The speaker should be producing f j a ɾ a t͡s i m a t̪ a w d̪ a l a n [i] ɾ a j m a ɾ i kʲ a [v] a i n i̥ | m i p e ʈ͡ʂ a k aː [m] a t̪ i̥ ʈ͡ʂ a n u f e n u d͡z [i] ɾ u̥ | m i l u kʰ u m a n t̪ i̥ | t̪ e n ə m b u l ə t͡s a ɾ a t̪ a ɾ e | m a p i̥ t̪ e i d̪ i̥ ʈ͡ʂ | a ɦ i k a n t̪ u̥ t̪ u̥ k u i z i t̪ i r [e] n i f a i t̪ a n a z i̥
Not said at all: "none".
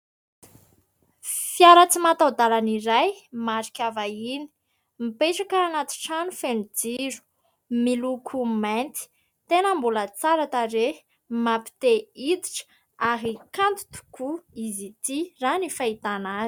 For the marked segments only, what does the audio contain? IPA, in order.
i, v, n, i, a

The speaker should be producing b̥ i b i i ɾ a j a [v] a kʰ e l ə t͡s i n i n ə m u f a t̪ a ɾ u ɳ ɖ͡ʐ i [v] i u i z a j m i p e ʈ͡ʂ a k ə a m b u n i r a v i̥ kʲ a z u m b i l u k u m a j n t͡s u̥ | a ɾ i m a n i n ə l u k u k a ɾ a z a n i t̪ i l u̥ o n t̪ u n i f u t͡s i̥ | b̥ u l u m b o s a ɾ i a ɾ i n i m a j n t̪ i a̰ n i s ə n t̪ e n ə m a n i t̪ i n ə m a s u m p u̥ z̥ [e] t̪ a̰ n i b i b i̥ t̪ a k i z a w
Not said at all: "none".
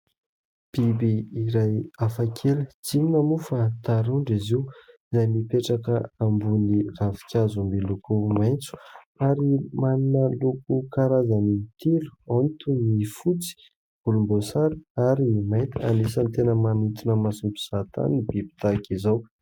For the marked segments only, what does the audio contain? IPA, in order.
f, z, a

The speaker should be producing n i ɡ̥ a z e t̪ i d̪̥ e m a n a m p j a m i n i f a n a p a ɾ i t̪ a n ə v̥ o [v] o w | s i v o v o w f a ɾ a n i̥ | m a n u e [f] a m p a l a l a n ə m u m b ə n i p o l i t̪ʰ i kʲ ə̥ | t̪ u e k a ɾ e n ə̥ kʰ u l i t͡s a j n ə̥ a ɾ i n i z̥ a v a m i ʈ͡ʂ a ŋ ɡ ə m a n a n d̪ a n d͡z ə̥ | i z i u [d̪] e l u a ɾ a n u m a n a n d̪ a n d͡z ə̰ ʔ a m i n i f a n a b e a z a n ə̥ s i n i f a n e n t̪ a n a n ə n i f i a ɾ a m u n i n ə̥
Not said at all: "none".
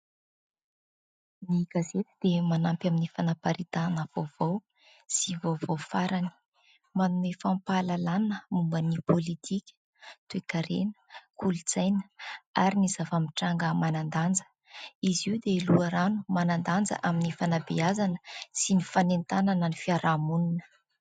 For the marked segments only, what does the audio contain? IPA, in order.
v, f, d̪

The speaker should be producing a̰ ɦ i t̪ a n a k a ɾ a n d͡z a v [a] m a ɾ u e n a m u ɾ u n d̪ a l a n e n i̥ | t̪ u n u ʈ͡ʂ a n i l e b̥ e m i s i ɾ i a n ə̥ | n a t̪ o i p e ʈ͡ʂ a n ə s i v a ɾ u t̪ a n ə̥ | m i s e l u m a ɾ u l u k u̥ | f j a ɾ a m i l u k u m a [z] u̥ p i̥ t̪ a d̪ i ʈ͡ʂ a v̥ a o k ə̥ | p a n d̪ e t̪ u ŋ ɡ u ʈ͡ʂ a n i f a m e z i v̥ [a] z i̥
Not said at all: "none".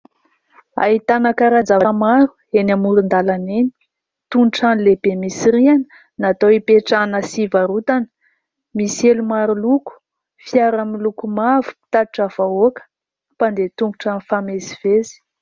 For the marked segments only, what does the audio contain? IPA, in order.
a, v, e

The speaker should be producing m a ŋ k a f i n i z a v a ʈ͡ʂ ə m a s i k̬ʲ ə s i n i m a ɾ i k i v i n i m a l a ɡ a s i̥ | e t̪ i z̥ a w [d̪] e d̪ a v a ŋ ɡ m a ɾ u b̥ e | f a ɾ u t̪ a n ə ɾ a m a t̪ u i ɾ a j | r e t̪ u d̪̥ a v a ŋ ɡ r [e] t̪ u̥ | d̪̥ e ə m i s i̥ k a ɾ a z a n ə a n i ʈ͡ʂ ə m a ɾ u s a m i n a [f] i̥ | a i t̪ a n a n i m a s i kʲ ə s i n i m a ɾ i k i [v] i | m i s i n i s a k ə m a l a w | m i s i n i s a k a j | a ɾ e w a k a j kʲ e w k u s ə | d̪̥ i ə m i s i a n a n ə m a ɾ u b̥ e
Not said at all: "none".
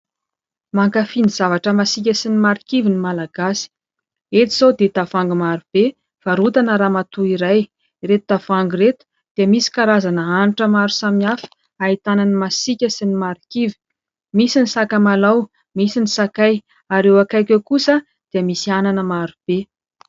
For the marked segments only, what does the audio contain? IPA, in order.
d̪, e, f, v

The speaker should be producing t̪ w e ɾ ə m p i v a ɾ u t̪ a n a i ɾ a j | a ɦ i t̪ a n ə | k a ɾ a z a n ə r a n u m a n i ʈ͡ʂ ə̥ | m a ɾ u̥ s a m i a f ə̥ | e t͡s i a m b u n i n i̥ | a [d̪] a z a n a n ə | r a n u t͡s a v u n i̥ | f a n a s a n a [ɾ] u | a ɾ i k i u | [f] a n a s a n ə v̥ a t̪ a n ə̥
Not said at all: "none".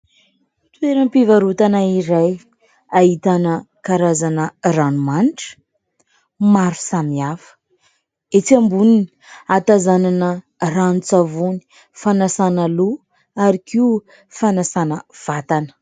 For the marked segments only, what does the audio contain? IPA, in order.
t̪, l, f

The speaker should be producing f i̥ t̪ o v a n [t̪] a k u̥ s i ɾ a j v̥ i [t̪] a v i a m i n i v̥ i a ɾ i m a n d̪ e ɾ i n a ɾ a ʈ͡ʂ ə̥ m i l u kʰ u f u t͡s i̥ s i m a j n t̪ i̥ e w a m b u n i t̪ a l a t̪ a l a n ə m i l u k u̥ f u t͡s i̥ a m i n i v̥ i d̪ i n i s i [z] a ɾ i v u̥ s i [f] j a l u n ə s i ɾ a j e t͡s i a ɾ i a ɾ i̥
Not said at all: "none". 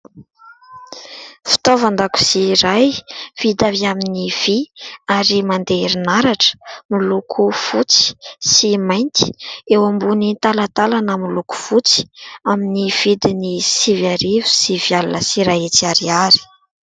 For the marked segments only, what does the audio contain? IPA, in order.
d̪, d̪, v, v

